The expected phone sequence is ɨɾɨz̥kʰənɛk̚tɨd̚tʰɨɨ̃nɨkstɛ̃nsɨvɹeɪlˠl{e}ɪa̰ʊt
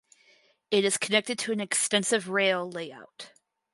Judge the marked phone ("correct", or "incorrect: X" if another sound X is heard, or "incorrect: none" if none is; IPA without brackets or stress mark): correct